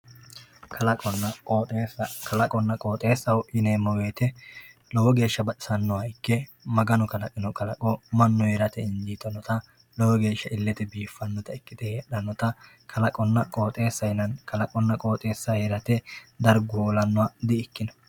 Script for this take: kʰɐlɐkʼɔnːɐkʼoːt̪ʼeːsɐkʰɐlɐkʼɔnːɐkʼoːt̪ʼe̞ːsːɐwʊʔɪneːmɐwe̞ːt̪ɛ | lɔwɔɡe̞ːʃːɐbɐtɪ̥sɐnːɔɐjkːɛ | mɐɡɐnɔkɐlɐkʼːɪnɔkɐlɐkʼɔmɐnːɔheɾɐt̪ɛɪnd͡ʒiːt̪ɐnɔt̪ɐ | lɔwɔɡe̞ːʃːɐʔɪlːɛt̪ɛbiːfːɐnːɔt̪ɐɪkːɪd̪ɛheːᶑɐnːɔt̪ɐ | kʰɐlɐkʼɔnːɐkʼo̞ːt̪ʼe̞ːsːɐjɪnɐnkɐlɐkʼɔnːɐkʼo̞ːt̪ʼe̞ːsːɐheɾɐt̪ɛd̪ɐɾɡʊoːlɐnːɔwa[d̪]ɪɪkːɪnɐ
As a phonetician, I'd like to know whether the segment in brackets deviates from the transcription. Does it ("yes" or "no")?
no